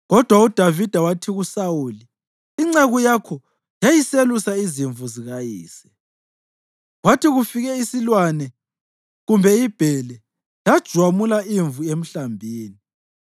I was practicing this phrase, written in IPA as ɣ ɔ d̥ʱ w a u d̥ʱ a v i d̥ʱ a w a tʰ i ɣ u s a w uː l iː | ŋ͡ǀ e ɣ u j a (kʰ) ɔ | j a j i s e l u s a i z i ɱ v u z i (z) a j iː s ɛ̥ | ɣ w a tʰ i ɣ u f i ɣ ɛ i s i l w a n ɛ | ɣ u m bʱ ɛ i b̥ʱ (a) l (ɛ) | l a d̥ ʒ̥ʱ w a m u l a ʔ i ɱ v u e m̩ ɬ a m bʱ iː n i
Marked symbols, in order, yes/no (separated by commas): yes, no, no, yes